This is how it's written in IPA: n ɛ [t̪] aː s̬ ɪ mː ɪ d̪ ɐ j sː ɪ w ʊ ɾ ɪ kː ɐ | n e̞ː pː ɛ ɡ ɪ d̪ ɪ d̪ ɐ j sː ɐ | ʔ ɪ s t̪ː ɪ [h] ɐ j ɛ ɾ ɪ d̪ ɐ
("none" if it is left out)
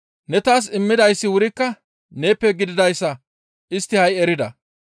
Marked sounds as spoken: t̪, h

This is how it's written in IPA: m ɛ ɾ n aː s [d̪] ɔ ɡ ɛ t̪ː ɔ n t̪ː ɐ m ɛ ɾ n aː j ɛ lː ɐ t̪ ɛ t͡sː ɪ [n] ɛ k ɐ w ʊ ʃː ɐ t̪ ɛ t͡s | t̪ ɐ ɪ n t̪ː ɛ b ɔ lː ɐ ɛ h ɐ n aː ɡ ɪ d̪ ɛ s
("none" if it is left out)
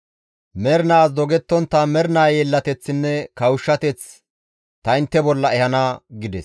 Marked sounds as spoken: d̪, nː

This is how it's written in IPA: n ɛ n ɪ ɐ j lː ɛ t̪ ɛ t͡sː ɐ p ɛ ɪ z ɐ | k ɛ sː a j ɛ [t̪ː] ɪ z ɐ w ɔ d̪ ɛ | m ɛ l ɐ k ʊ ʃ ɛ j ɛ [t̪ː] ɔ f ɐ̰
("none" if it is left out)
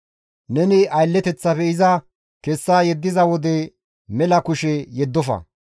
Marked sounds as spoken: d̪ː, d̪ː

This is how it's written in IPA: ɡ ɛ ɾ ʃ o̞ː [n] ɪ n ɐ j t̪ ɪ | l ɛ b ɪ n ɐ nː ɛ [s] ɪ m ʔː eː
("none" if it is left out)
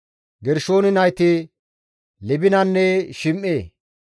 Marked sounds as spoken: n, ʃ

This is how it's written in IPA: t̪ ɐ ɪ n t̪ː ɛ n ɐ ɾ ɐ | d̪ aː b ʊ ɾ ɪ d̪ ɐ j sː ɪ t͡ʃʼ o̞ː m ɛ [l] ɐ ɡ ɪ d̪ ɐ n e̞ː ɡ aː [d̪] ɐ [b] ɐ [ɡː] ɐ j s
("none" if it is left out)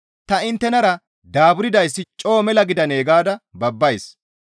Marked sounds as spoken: l, d̪, b, bː

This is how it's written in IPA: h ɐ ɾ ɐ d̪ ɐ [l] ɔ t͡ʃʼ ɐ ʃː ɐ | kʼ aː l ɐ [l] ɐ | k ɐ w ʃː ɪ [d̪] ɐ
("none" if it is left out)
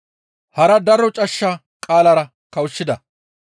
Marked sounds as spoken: ɾ, ɾ, d̪

